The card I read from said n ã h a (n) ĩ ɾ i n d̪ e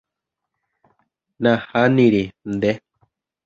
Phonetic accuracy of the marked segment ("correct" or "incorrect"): correct